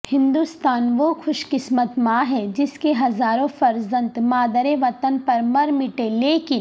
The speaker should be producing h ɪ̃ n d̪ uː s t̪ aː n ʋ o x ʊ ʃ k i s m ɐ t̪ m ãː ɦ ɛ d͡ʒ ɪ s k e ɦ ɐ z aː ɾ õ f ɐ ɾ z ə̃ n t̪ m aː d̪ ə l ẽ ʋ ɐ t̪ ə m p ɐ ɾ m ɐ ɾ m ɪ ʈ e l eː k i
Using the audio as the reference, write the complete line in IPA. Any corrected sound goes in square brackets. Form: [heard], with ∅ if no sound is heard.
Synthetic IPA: h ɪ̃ n d̪ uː s t̪ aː n ʋ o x ʊ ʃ k [ɪ] s m [ə] t̪ m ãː ɦ ɛ d͡ʒ ɪ s k e ɦ ɐ z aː ɾ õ f ɐ ɾ z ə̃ n t̪ m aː d̪ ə [ɾ] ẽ ʋ ɐ t̪ ə [n] p ɐ ɾ m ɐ ɾ m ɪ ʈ e l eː k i